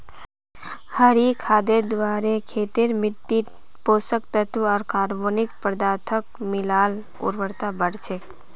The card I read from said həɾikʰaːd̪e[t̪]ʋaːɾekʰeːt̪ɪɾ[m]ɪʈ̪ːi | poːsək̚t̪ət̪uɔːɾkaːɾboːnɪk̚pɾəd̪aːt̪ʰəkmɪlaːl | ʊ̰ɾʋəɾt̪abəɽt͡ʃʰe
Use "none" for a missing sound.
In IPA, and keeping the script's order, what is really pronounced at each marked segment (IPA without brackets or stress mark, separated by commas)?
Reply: d̪, m